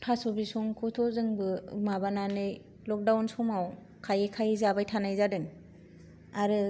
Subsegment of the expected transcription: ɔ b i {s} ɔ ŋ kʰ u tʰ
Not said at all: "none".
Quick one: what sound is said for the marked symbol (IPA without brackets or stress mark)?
s